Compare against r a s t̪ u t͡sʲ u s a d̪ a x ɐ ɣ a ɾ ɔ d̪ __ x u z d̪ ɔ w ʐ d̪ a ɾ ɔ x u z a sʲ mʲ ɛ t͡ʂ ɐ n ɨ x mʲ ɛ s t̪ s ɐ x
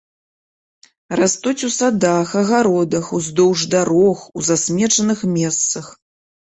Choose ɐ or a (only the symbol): ɐ